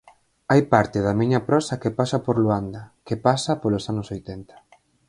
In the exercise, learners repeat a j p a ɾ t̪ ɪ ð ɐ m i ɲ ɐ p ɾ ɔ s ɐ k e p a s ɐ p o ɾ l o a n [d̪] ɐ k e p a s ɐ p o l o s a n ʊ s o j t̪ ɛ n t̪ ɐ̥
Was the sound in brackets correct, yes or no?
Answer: yes